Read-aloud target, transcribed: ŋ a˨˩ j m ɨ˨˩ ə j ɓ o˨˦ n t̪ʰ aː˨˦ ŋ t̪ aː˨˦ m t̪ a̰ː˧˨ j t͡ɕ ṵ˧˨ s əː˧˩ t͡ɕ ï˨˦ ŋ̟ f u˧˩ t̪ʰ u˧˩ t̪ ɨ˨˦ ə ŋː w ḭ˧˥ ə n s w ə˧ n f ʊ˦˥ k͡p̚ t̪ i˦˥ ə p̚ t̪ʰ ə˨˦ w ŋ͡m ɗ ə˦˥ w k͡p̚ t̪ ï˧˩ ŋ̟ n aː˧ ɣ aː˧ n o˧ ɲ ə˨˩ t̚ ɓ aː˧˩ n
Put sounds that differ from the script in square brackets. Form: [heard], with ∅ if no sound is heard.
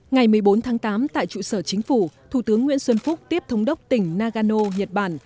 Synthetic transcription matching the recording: ŋ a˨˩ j m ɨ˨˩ ə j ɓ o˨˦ n t̪ʰ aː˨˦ ŋ t̪ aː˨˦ m t̪ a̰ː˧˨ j t͡ɕ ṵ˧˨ s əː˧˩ t͡ɕ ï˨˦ ŋ̟ f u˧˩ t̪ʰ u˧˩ t̪ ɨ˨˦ ə ŋː w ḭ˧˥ ə n s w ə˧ n f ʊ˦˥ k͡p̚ t̪ i˦˥ ə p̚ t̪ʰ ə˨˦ w ŋ͡m ɗ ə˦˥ w k͡p̚ t̪ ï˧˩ ŋ̟ n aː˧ ɣ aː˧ n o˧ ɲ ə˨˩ t̚ ɓ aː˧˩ n